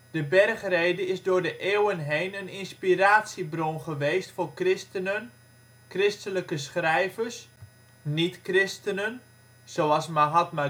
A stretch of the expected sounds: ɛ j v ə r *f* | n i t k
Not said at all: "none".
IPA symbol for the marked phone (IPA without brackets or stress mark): s